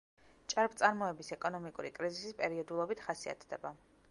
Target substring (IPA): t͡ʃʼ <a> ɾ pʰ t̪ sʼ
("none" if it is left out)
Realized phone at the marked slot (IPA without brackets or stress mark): a